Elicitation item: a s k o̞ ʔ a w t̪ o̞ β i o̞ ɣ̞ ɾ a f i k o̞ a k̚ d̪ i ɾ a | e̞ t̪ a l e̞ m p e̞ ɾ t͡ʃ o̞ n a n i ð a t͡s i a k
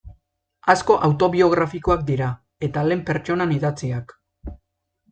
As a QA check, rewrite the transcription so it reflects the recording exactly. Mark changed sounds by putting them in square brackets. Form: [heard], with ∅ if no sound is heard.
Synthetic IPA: a s k o̞ ʔ a w t̪ o̞ β i o̞ ɣ̞ ɾ a f i k o̞ a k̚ d̪ i ɾ a | e̞ t̪ a l e̞ m p e̞ ɾ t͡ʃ o̞ n a n i ð a t͡s i a k

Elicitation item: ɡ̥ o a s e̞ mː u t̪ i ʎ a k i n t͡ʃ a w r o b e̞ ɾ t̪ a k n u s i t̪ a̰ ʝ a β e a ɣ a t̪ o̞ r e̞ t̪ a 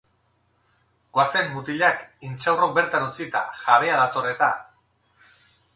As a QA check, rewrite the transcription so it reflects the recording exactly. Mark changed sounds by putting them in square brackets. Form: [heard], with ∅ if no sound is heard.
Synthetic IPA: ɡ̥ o a s e̞ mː u t̪ i ʎ a k i n t͡ʃ a w r o b e̞ ɾ t̪ a [∅] n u [t͡s] i t̪ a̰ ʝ a β e a [ð] a t̪ o̞ r e̞ t̪ a

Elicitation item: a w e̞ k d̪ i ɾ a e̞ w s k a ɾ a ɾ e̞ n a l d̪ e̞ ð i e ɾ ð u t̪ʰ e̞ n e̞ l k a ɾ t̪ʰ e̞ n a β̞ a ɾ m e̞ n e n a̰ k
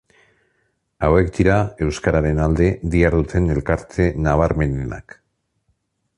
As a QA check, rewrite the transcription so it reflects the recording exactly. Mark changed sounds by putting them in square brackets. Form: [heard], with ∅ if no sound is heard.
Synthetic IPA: a w e̞ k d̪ i ɾ a e̞ w s k a ɾ a ɾ e̞ n a l d̪ e̞ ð i [a] ɾ ð u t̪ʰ e̞ n e̞ l k a ɾ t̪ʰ e̞ n a β̞ a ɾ m e̞ n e n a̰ k

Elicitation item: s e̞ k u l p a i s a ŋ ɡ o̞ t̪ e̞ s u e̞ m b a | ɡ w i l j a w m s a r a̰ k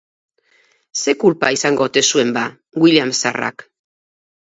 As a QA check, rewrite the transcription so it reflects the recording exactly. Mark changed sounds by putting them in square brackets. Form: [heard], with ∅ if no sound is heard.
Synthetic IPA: s e̞ k u l p a i s a ŋ ɡ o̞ t̪ e̞ s u e̞ m b a | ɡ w i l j a [∅] m s a r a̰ k

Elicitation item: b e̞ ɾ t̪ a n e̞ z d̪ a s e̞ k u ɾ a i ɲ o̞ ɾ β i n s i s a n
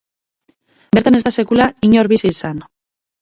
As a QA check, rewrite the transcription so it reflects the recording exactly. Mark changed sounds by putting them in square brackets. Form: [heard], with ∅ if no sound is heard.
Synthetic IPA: b e̞ ɾ t̪ a n e̞ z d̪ a s e̞ k u [l] a i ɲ o̞ ɾ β i [∅] s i s a n

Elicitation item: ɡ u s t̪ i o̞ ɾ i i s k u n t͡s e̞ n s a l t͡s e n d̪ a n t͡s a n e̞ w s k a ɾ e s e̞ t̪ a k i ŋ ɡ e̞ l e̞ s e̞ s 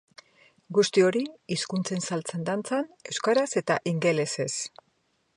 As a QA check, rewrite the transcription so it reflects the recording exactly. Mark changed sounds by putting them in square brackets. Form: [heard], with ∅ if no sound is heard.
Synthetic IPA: ɡ u s t̪ i o̞ ɾ i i s k u n t͡s e̞ n s a l t͡s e n d̪ a n t͡s a n e̞ w s k a ɾ [a] s e̞ t̪ a [ʔ] i ŋ ɡ e̞ l e̞ s e̞ s

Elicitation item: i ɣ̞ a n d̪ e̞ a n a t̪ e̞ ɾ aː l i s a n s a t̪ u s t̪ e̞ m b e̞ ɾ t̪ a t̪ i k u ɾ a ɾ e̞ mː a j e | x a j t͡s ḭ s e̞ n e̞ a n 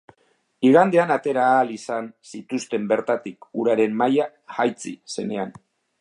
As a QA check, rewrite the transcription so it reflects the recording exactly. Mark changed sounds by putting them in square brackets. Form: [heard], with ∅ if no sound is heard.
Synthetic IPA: i ɣ̞ a n d̪ e̞ a n a t̪ e̞ ɾ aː l i s a n s [i] t̪ u s t̪ e̞ m b e̞ ɾ t̪ a t̪ i k u ɾ a ɾ e̞ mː a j [a] | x a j t͡s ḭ s e̞ n e̞ a n

